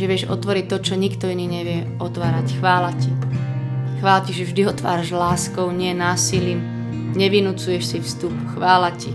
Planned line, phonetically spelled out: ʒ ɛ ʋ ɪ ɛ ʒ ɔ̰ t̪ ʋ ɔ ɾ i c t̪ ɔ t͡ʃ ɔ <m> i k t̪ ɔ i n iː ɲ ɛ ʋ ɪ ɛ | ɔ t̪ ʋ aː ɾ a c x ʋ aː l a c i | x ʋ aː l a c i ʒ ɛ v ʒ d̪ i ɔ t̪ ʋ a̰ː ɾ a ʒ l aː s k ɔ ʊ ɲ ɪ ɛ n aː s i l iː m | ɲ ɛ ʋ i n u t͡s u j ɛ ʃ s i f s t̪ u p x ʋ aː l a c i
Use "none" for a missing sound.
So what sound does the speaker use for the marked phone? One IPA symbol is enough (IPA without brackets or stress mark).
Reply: ɲ